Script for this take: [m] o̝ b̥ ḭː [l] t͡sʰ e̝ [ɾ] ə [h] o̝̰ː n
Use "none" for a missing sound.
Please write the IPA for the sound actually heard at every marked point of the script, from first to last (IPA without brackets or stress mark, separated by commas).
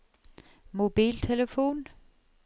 m, l, l, f